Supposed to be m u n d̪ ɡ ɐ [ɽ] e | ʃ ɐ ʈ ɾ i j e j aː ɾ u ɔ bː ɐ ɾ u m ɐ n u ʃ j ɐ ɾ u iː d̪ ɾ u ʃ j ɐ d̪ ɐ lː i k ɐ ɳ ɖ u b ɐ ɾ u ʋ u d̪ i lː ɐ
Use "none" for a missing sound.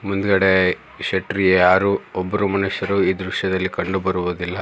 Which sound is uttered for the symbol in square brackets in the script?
ɽ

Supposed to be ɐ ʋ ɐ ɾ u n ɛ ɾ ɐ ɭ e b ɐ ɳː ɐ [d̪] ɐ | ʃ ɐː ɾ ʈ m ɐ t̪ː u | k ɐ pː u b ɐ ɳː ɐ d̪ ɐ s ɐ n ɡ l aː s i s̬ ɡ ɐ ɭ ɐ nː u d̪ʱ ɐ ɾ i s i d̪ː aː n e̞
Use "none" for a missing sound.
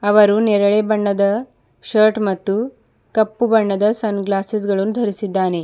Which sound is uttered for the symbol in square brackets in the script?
d̪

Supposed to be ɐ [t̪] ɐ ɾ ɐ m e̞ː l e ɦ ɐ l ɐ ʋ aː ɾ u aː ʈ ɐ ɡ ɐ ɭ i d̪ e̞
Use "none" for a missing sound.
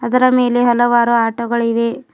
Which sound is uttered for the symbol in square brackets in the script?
d̪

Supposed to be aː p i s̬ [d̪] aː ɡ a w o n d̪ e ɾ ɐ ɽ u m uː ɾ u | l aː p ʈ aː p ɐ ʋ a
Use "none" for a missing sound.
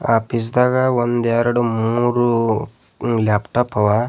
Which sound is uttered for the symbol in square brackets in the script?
d̪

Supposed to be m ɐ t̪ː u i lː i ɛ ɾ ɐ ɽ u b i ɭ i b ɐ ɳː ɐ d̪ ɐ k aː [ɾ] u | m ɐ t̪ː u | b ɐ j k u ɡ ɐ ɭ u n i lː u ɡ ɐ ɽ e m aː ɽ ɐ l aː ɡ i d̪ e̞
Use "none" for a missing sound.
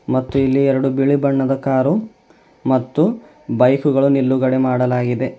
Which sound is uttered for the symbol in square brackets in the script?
ɾ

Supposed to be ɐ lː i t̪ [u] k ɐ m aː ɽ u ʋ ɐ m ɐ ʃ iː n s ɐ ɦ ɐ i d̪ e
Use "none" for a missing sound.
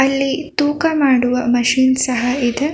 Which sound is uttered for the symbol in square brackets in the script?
uː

